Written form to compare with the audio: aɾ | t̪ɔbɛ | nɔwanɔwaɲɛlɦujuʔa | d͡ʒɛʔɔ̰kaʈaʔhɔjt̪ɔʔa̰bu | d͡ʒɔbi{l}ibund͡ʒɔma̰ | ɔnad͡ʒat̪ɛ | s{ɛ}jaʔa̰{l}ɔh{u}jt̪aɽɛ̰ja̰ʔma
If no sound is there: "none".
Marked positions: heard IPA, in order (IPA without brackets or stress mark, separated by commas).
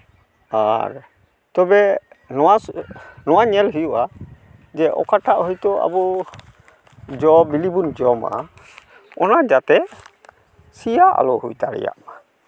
l, i, l, u